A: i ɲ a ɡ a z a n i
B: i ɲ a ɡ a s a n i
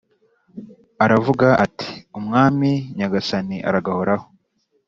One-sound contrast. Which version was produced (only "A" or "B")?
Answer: B